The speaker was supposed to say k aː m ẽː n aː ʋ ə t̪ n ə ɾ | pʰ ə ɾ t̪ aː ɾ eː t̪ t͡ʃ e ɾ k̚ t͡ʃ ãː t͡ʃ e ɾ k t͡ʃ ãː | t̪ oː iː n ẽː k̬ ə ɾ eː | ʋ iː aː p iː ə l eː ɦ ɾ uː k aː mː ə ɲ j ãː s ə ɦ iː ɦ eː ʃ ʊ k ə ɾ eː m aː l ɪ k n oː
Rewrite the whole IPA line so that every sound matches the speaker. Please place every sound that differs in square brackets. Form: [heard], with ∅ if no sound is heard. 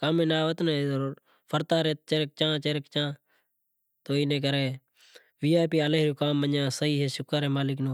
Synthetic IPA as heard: k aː m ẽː n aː ʋ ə t̪ n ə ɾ | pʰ ə ɾ t̪ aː ɾ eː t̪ t͡ʃ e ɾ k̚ t͡ʃ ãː t͡ʃ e ɾ k t͡ʃ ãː | t̪ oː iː n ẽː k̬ ə ɾ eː | ʋ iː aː p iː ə l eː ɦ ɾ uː k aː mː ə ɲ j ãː s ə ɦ iː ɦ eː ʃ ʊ k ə ɾ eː m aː l ɪ k n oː